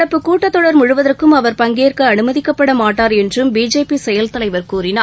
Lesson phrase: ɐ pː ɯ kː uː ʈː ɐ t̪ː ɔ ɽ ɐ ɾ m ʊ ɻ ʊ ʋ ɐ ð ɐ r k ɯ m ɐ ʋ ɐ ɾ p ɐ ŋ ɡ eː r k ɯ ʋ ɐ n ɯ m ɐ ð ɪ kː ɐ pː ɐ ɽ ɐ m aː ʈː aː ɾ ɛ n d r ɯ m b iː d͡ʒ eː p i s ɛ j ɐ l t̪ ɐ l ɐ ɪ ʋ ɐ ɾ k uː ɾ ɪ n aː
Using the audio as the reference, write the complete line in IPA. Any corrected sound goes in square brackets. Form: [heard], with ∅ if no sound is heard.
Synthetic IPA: ɐ pː ɯ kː uː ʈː ɐ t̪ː ɔ ɽ ɐ ɾ m ʊ ɻ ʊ ʋ ɐ ð ɐ r k ɯ m ɐ ʋ ɐ ɾ p ɐ ŋ ɡ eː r k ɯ [∅] ɐ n ɯ m ɐ ð ɪ kː ɐ pː ɐ ɽ ɐ m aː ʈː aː ɾ ɛ n d r ɯ m b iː d͡ʒ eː p i s ɛ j ɐ l t̪ ɐ l ɐ ɪ ʋ ɐ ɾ k uː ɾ ɪ n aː

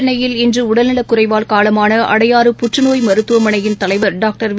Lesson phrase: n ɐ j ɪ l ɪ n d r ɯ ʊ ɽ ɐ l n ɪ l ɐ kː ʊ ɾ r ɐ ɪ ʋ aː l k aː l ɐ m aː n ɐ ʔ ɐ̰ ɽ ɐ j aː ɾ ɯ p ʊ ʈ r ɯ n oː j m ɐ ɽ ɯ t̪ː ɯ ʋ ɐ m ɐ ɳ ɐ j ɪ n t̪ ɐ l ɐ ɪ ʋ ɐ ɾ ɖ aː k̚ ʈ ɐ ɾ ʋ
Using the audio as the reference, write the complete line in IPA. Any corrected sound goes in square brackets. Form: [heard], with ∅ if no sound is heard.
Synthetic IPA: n ɐ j ɪ l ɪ n d r ɯ ʊ ɽ ɐ l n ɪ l ɐ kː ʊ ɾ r ɐ ɪ ʋ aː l k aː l ɐ m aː n ɐ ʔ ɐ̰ ɽ ɐ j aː ɾ ɯ p ʊ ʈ r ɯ n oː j m ɐ [ɾ] ɯ t̪ː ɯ ʋ ɐ m ɐ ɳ ɐ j ɪ n t̪ ɐ l ɐ ɪ ʋ ɐ ɾ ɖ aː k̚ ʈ ɐ ɾ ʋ

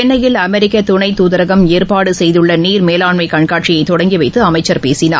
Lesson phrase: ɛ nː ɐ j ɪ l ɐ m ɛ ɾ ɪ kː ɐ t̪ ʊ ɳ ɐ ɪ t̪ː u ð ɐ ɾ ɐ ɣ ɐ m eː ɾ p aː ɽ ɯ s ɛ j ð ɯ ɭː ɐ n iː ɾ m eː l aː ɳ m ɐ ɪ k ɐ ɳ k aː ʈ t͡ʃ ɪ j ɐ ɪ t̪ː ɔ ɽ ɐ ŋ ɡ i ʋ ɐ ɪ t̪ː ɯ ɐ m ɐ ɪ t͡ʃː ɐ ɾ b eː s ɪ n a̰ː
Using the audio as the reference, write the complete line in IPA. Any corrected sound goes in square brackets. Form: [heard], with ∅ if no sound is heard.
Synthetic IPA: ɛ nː ɐ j ɪ l ɐ m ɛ ɾ ɪ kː ɐ t̪ ʊ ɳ ɐ ɪ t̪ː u ð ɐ ɾ ɐ ɣ ɐ m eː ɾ p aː ɽ ɯ s ɛ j ð ɯ ɭː ɐ n iː ɾ m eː l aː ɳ m ɐ ɪ k ɐ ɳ k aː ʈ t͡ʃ ɪ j ɐ ɪ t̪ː ɔ ɽ ɐ ŋ ɡ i ʋ ɐ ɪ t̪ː ɯ ɐ m ɐ ɪ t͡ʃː ɐ ɾ [p] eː s ɪ n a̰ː

